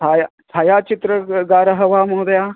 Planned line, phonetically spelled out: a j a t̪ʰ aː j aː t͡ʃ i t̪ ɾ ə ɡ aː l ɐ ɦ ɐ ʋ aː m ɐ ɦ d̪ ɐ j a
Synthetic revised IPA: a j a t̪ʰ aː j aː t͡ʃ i t̪ ɾ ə ɡ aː ɾ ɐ ɦ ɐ ʋ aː m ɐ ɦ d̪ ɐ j a